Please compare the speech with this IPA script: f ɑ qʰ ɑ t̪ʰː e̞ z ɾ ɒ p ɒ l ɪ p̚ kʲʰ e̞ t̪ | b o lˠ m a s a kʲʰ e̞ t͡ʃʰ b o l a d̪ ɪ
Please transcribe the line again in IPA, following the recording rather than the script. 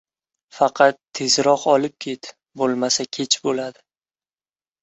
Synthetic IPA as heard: f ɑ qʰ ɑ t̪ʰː e̞ z ɾ ɒ q ɒ l ɪ p̚ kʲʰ e̞ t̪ | b o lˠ m a s a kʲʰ e̞ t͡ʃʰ b o l a d̪ ɪ